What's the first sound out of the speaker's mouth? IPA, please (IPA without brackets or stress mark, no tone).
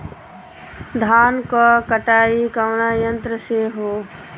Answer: d̪ʱ